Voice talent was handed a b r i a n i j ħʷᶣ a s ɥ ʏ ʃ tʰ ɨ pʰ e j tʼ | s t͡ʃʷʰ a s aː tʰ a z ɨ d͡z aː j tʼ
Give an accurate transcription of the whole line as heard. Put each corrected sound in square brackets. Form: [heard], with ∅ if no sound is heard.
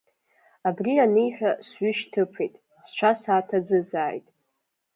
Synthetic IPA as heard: a b r i a n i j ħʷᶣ a s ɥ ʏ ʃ tʰ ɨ pʰ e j tʼ | s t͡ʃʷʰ a s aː tʰ a [d͡z] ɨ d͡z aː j tʼ